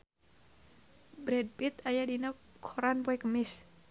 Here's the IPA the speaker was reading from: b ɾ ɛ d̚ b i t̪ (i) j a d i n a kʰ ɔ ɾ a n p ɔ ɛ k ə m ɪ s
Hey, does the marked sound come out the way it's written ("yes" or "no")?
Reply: no